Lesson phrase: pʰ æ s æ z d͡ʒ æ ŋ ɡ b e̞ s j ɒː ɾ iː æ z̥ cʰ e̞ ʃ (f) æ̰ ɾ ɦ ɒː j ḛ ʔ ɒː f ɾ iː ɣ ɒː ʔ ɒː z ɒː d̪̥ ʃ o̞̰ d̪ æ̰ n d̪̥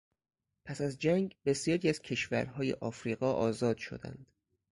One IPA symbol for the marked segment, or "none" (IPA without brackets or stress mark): v